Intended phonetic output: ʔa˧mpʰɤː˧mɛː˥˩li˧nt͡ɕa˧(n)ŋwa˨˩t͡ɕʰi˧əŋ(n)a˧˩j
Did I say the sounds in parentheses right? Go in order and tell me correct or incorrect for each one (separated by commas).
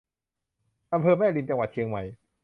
incorrect, incorrect